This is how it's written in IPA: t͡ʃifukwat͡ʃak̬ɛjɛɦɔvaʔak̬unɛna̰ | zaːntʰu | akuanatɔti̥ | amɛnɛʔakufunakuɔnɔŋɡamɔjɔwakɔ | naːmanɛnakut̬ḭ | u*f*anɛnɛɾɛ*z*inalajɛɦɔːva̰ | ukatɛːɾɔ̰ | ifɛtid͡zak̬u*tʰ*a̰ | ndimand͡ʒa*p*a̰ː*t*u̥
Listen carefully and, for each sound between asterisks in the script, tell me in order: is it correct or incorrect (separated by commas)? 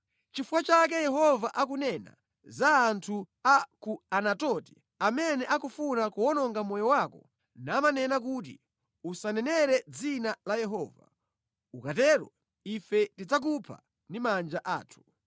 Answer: incorrect, incorrect, incorrect, incorrect, incorrect